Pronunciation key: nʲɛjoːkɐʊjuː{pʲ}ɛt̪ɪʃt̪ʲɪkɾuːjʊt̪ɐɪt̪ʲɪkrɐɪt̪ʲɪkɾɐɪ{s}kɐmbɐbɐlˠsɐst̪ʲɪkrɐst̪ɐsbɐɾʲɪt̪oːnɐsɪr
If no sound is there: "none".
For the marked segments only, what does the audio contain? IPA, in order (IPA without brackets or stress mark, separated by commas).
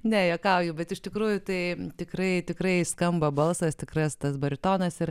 bʲ, s